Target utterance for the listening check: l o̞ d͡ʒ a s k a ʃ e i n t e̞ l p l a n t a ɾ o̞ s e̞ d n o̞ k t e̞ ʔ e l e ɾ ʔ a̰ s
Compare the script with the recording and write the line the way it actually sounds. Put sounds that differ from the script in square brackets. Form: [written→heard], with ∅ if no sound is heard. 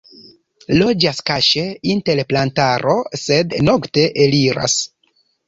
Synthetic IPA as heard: l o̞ d͡ʒ a s k a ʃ e i n t e̞ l p l a n t a ɾ o̞ s e̞ d n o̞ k t e̞ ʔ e l [e→i] ɾ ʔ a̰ s